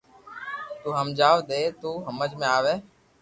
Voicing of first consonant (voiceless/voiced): voiceless